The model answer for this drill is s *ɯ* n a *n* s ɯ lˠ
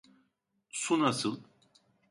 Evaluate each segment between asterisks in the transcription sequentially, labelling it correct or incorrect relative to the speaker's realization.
incorrect, incorrect

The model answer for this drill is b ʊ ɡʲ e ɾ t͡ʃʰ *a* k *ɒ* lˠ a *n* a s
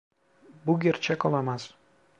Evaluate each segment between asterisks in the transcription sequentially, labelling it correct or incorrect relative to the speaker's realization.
correct, correct, incorrect

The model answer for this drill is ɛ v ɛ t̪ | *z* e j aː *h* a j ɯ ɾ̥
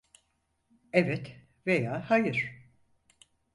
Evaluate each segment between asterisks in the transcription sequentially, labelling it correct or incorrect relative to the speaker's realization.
incorrect, correct

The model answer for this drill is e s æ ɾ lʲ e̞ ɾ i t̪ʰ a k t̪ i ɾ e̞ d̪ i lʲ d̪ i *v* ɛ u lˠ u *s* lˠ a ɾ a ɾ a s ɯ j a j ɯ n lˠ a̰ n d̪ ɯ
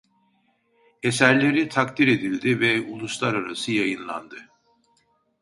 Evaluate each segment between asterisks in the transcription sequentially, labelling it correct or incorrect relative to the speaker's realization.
correct, correct

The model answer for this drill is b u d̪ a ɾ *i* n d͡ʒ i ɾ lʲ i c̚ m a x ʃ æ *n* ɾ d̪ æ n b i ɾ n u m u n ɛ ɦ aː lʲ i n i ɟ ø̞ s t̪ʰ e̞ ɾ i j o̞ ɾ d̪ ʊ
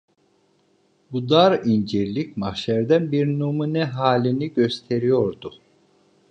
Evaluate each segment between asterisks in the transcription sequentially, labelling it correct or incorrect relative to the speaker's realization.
correct, incorrect

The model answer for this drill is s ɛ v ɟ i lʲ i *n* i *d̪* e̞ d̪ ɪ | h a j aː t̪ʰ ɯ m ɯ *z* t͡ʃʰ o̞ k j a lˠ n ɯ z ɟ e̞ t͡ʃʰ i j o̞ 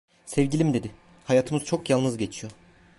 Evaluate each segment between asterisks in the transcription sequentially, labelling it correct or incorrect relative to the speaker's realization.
incorrect, correct, correct

